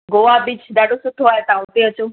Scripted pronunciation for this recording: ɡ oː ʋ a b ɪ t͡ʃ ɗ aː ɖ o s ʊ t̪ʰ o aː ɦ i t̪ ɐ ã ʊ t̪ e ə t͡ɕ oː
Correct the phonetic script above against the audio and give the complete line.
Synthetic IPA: ɡ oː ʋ a b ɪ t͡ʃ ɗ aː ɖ o s ʊ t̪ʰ o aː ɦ e t̪ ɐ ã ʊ t̪ e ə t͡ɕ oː